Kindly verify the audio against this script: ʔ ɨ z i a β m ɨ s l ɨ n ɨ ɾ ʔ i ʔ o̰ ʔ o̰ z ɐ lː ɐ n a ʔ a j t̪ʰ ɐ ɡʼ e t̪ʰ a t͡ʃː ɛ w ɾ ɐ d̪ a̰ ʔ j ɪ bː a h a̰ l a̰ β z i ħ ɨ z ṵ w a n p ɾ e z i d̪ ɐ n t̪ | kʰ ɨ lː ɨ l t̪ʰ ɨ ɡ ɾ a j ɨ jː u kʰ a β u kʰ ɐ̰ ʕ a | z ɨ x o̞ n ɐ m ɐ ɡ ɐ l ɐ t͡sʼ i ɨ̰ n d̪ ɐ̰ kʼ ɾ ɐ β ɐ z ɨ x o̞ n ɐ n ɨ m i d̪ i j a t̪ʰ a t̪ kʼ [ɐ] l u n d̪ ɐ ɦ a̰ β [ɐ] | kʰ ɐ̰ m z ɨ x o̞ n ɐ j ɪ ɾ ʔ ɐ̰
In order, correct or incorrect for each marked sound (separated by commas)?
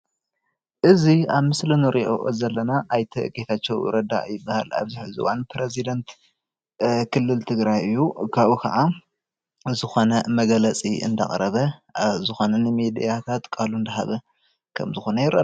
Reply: incorrect, correct